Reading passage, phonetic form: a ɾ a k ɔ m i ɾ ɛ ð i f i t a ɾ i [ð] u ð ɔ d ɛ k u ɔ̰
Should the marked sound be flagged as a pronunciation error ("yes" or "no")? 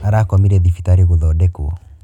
yes